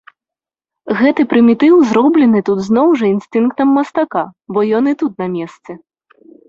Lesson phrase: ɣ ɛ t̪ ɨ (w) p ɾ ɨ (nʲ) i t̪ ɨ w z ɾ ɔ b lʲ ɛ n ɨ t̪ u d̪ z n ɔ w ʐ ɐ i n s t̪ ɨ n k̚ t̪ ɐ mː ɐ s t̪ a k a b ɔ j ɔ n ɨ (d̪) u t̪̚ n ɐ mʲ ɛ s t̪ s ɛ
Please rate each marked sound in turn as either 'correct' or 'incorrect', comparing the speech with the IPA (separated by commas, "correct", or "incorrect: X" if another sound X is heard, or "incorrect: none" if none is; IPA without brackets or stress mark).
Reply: incorrect: none, incorrect: mʲ, incorrect: t̪